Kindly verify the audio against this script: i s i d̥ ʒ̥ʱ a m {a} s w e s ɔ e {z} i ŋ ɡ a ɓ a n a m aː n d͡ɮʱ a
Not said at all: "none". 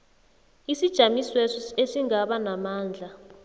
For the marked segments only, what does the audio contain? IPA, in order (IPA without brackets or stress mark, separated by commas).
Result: i, s